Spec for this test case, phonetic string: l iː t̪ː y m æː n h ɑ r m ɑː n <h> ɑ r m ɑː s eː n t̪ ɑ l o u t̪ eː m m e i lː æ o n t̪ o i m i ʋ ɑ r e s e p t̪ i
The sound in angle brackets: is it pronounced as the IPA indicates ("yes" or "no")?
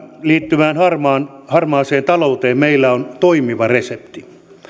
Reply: yes